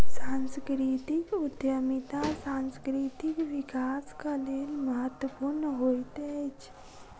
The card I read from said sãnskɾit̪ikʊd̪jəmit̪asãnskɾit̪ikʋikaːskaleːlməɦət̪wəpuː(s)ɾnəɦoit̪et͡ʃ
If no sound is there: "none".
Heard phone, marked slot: none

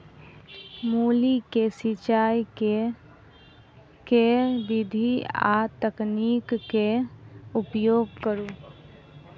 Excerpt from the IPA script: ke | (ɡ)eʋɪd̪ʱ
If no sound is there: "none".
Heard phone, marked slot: k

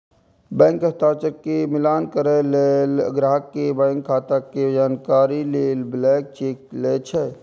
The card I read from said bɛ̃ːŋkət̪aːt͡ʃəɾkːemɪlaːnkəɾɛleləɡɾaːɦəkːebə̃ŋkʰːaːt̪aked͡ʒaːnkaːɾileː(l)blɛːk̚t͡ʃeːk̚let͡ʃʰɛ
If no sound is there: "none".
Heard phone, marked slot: l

